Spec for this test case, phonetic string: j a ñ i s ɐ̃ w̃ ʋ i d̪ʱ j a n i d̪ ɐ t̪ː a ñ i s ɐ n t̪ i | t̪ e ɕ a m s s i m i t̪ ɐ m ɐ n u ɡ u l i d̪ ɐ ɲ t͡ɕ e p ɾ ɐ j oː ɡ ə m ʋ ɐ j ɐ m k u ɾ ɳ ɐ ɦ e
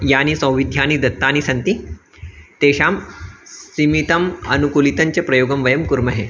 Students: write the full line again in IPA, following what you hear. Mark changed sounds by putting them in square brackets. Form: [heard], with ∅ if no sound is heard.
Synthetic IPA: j a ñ i s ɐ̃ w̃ ʋ i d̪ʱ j a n i d̪ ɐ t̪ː a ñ i s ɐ n t̪ i | t̪ e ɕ a m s s i m i t̪ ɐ m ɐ n u [k] u l i [t̪] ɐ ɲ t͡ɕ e p ɾ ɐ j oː ɡ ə m ʋ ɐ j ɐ m k u ɾ [m] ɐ ɦ e